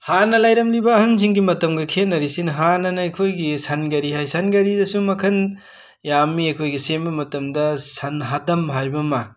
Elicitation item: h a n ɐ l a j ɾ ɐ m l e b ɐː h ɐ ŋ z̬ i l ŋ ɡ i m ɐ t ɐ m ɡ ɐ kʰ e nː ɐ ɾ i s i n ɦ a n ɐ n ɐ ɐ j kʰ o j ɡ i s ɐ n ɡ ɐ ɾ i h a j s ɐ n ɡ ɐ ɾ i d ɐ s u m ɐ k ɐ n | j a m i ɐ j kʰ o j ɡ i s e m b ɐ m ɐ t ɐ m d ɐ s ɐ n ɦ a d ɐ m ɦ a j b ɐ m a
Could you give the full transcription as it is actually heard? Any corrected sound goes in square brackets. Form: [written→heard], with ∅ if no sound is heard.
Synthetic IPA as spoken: h a n ɐ l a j ɾ ɐ m l [e→i] b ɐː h ɐ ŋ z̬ i [l→∅] ŋ ɡ i m ɐ t ɐ m ɡ ɐ kʰ e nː ɐ ɾ i s i n ɦ a n ɐ n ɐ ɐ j kʰ o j ɡ i s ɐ n ɡ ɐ ɾ i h a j s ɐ n ɡ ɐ ɾ i d ɐ s u m ɐ [k→kʰ] ɐ n | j a m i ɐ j kʰ o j ɡ i s e m b ɐ m ɐ t ɐ m d ɐ s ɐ n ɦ a d ɐ m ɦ a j b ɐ m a